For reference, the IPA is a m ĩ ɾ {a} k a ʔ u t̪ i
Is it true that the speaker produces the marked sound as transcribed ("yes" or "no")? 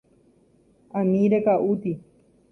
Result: no